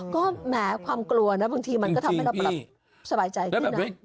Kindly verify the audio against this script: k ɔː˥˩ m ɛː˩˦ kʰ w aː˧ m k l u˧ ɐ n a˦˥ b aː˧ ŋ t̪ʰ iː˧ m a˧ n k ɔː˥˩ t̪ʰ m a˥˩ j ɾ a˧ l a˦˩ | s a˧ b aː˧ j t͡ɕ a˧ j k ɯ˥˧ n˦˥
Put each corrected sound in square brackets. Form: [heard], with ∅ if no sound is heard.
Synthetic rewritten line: k ɔː˥˩ m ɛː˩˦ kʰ w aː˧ m k l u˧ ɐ n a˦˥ b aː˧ ŋ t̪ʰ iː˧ m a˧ n k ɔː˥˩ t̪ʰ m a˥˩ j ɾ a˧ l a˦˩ | s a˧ b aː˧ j t͡ɕ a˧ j k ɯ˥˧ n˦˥

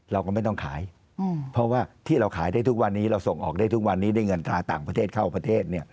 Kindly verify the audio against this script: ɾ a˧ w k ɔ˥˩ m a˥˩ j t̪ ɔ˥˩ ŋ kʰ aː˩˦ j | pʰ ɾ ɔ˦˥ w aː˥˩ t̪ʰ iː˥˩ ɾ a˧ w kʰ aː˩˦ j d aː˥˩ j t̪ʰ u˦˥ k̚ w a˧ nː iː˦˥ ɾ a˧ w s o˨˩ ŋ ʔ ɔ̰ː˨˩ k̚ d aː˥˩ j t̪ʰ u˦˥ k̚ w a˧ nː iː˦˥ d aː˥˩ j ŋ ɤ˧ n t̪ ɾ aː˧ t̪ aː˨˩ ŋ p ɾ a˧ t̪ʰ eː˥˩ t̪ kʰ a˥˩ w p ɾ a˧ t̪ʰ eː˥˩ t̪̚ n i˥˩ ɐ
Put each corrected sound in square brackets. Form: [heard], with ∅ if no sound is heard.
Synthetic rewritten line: ɾ a˧ w k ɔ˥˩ m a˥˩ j t̪ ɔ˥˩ ŋ kʰ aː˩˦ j | pʰ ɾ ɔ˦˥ w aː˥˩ t̪ʰ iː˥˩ ɾ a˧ w kʰ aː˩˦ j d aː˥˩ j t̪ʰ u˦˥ k̚ w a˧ nː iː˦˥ ɾ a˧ w s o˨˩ ŋ ʔ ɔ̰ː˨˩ k̚ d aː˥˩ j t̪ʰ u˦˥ k̚ w a˧ nː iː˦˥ d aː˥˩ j ŋ ɤ˧ n t̪ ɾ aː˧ t̪ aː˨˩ ŋ p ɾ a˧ t̪ʰ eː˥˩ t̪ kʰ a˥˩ w p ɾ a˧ t̪ʰ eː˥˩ t̪̚ n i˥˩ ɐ

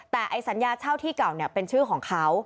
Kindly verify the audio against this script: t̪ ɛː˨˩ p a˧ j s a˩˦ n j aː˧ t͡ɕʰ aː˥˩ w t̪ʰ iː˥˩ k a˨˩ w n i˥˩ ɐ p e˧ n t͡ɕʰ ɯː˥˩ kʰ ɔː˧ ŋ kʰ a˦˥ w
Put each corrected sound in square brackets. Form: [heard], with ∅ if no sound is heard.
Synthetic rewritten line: t̪ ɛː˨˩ [ʔ] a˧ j s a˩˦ n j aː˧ t͡ɕʰ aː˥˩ w t̪ʰ iː˥˩ k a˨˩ w n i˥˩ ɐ p e˧ n t͡ɕʰ ɯː˥˩ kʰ [ɔː˩˦] ŋ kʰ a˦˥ w

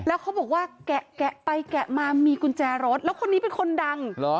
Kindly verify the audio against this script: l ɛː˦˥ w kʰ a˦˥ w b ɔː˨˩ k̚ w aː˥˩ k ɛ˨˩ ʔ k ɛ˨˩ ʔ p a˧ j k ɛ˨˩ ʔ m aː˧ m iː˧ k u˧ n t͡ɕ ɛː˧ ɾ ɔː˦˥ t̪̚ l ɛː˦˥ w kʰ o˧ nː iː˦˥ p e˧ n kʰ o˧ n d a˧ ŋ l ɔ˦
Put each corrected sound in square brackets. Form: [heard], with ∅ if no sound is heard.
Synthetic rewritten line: l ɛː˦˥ w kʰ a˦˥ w b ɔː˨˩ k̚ w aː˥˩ k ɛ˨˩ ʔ k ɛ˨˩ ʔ p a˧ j k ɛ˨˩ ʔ m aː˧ m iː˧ k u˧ n t͡ɕ ɛː˧ ɾ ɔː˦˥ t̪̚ l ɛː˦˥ w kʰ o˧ nː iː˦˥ p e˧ n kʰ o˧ n d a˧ ŋ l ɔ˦

